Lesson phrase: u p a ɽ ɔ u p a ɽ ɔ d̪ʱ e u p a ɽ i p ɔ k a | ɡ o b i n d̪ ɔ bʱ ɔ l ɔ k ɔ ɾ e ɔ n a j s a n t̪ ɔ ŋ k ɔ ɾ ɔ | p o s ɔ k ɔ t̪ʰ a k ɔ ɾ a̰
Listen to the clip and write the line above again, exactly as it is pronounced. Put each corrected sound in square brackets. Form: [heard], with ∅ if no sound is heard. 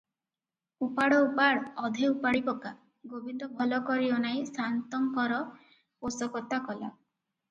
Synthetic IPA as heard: u p a ɽ ɔ u p a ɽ ɔ d̪ʱ e u p a ɽ i p ɔ k a | ɡ o b i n d̪ ɔ bʱ ɔ l ɔ k ɔ ɾ [i] ɔ n a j s a n t̪ ɔ ŋ k ɔ ɾ ɔ | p o s ɔ k ɔ [t̪] a k ɔ [l] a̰